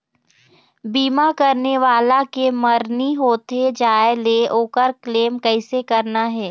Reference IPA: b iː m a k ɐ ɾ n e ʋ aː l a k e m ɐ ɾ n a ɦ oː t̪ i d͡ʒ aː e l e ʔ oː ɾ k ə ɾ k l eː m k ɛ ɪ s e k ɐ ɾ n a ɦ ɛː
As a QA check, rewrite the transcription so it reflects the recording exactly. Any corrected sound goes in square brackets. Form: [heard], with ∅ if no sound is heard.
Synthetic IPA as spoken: b iː m a k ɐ ɾ n e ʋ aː l a k e m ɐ ɾ n [i] ɦ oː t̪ [e] d͡ʒ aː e l e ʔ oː [∅] k ə ɾ k l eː m k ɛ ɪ s e k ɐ ɾ n a ɦ ɛː